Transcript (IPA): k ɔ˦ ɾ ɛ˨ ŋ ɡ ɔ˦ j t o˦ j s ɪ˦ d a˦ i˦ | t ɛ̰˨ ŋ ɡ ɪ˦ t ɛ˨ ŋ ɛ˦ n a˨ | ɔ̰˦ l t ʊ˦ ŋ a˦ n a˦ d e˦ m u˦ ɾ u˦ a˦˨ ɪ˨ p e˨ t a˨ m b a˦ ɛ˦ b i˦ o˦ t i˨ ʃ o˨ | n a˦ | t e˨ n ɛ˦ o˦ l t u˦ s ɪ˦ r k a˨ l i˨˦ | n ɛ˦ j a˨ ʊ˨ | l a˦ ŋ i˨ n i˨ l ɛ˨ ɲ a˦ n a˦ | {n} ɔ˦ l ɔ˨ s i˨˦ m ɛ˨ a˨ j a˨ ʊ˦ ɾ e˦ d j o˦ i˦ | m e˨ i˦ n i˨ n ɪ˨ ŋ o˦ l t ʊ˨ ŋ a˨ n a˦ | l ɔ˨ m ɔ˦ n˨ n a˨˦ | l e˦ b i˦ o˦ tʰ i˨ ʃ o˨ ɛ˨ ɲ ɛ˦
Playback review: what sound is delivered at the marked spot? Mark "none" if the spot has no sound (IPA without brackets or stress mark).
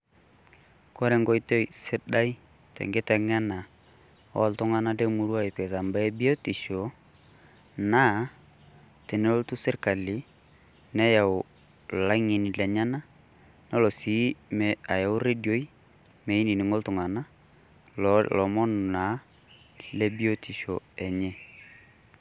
n